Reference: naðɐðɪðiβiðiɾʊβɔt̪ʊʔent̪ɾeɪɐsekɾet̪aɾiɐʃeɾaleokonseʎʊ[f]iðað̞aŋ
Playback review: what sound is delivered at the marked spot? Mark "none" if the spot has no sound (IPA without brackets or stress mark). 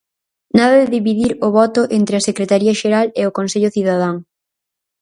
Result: θ